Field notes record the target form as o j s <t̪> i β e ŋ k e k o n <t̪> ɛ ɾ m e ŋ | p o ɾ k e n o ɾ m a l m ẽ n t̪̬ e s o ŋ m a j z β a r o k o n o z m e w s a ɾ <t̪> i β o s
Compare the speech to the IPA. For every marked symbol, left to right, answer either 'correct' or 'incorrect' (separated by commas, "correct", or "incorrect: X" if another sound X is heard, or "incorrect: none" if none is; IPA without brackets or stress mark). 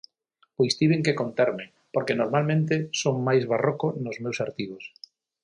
correct, correct, correct